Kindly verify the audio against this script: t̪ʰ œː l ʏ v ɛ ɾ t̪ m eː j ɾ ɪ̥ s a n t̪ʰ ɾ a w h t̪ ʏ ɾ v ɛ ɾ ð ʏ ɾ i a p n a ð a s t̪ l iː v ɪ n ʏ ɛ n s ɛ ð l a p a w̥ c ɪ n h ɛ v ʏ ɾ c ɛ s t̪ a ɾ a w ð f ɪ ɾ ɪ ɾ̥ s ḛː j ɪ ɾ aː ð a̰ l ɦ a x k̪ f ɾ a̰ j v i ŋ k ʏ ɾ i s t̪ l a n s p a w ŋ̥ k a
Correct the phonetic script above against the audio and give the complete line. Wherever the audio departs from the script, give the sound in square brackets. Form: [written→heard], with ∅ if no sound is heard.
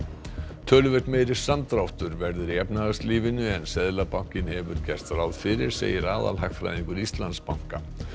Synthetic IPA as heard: t̪ʰ œː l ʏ v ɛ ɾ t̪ m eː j ɾ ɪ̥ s a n [t̪ʰ→t̪] ɾ a w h t̪ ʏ ɾ v ɛ ɾ ð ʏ ɾ i [a→ɛ] p n a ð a s t̪ l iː v ɪ n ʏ ɛ n s ɛ ð l a p a w̥ c ɪ n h ɛ v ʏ ɾ c ɛ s t̪ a ɾ a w ð f ɪ ɾ ɪ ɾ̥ s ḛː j ɪ ɾ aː ð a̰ l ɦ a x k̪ f ɾ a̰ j [v→ð] i ŋ k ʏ ɾ i s t̪ l a n s p a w ŋ̥ k a